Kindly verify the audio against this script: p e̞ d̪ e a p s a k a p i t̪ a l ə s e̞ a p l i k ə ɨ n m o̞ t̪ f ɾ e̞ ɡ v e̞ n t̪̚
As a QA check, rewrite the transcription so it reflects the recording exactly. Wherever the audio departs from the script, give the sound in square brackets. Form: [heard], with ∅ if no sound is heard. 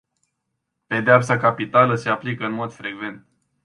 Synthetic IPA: p e̞ d̪ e a p s a k a p i t̪ a l ə s e̞ a p l i k ə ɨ n m o̞ [d̪] f ɾ e̞ ɡ v e̞ n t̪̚